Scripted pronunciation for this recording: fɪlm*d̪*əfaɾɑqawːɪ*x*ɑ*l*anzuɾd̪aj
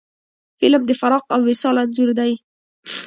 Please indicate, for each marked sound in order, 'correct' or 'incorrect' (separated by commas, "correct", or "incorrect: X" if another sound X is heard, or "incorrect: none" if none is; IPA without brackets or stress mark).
correct, incorrect: s, correct